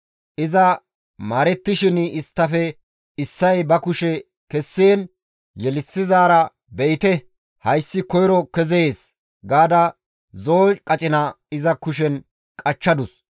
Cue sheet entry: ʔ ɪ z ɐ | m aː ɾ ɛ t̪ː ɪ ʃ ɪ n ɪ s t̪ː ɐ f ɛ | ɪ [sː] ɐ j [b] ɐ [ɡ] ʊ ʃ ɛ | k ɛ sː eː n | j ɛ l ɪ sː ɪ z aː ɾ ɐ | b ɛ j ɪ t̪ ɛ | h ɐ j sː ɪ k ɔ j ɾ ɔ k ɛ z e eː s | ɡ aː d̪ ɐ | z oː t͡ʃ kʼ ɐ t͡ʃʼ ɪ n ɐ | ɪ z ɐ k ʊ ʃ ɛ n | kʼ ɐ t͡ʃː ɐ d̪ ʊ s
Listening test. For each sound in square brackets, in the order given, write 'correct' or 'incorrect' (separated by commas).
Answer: correct, correct, incorrect